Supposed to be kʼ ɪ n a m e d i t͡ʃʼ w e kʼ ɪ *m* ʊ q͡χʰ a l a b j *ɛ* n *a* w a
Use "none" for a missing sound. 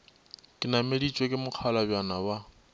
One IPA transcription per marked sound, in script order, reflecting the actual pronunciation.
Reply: m, a, a

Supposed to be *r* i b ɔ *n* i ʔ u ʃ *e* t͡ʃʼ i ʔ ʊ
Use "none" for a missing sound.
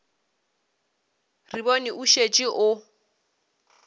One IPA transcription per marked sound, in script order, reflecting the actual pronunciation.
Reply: r, n, e

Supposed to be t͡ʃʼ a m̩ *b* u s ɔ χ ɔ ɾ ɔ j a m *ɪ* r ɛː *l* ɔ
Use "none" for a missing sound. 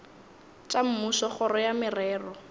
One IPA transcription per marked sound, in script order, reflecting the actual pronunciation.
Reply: m, ɪ, r

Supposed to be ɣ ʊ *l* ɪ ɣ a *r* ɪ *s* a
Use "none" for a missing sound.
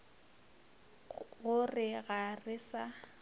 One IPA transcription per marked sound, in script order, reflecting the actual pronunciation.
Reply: r, r, s

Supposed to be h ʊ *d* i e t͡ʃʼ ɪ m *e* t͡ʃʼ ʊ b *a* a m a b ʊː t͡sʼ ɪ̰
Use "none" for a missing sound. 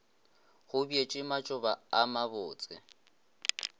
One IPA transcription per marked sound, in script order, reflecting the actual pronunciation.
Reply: b, a, a

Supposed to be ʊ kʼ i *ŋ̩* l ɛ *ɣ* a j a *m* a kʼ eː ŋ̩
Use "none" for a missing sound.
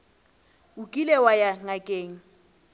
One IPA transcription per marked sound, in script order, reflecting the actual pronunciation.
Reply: none, w, ŋ

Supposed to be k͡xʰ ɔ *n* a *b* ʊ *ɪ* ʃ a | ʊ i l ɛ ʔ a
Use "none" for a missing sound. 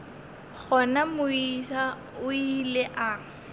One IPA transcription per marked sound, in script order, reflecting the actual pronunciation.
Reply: n, m, i

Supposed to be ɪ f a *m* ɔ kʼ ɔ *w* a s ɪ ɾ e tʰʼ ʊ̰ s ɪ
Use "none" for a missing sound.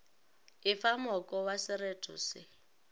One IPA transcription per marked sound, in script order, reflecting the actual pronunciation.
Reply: m, w

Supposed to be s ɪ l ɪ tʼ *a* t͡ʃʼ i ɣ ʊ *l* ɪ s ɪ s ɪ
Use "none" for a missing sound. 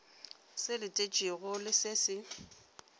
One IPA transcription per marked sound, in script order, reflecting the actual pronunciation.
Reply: e, l

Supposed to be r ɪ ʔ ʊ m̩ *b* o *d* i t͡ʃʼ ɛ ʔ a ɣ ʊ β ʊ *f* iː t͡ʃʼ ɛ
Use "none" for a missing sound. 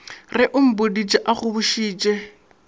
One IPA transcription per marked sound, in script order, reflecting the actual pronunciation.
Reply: b, d, ʃ

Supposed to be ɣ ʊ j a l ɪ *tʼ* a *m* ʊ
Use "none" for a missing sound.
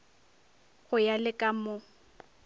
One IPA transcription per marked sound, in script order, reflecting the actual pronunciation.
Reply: kʼ, m

